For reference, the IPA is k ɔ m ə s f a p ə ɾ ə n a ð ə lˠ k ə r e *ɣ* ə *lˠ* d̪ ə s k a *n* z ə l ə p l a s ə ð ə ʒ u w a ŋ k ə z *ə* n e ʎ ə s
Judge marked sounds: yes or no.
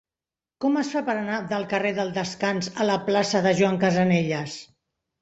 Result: no, yes, yes, yes

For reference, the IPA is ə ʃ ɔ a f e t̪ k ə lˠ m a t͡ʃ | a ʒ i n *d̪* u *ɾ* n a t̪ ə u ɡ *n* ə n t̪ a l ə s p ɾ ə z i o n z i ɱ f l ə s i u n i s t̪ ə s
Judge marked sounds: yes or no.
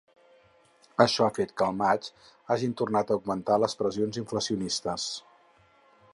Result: no, no, no

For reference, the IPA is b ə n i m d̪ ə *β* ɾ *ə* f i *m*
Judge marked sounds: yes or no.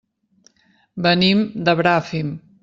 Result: yes, no, yes

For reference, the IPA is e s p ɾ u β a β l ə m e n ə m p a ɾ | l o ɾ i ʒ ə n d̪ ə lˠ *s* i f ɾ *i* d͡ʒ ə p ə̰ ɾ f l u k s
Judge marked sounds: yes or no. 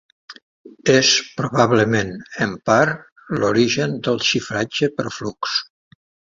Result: no, no

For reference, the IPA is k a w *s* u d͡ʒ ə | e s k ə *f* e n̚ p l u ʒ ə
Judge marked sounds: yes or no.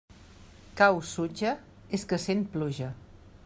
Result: yes, no

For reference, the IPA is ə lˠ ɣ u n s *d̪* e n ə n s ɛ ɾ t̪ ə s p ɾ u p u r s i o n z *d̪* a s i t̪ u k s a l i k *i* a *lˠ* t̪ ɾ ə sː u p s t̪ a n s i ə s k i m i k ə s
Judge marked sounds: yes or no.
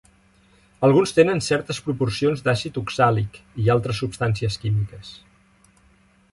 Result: no, yes, yes, yes

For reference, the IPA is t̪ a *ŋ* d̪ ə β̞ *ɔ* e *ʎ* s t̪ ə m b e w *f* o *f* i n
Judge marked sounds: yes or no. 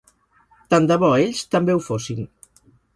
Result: no, yes, yes, yes, no

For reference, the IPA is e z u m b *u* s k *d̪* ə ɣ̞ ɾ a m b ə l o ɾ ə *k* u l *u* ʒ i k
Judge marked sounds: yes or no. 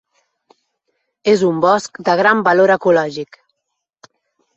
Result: no, yes, yes, no

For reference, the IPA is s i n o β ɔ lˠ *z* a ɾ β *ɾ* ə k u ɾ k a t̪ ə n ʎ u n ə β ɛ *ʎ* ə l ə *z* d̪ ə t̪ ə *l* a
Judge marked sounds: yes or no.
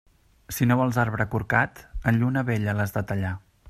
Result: yes, yes, yes, yes, no

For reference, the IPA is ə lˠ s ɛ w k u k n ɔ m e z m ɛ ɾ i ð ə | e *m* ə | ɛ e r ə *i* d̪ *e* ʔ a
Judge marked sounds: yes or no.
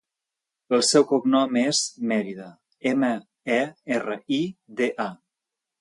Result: yes, yes, yes

